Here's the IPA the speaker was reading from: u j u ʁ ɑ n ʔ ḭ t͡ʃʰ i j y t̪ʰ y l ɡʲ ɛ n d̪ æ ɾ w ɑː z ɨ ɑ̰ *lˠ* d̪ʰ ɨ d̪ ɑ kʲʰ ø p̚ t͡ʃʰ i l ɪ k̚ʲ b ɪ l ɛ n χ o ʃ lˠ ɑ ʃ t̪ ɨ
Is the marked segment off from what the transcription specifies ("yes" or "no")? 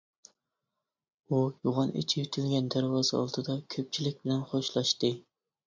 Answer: no